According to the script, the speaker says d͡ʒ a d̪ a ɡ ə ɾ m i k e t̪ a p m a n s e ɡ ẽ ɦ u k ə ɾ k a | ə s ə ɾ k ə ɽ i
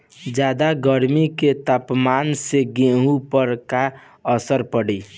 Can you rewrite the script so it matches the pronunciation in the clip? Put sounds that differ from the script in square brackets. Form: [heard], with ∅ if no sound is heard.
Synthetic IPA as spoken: d͡ʒ a d̪ a ɡ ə ɾ m i k e t̪ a p m a n s e ɡ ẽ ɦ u [p] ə ɾ k a | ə s ə ɾ [p] ə ɽ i